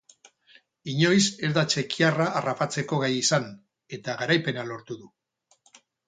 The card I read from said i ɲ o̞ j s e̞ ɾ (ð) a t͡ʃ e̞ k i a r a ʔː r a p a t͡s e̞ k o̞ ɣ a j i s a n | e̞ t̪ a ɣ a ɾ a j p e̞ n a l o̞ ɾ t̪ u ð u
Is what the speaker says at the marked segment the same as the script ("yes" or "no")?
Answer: yes